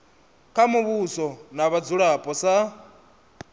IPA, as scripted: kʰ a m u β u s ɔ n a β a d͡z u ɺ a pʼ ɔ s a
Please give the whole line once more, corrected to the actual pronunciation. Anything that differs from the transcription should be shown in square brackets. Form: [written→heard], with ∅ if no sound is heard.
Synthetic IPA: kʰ a m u β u s ɔ n a β a d͡z u ɺ a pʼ ɔ s a